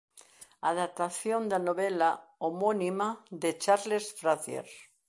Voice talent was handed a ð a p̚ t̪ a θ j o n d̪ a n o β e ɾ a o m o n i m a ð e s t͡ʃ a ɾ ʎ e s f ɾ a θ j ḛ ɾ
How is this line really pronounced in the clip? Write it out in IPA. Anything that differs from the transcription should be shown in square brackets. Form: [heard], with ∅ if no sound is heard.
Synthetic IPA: a ð a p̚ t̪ a θ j o n d̪ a n o β e [l] a o m o n i m a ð e [∅] t͡ʃ a ɾ [l] e s f ɾ a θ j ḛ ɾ